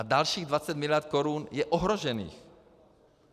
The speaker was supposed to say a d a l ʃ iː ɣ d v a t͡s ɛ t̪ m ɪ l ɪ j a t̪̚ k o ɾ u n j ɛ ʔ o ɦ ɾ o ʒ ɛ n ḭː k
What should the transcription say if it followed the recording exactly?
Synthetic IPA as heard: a d a l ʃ iː ɣ d v a t͡s ɛ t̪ m ɪ l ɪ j a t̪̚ k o ɾ u n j ɛ ʔ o ɦ ɾ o ʒ ɛ n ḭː x